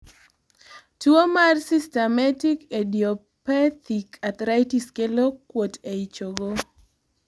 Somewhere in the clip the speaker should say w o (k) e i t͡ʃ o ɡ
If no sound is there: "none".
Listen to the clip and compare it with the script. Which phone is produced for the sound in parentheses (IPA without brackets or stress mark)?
t